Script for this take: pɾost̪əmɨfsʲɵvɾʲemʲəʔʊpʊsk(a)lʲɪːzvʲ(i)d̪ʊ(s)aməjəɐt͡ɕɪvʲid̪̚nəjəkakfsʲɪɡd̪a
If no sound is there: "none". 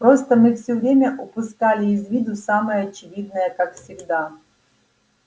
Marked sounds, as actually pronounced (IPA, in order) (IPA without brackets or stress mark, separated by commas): a, i, s